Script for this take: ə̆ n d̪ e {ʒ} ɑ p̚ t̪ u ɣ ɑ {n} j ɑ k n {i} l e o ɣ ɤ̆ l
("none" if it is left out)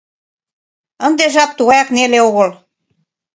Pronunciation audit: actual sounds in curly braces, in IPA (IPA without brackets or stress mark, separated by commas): ʒ, none, e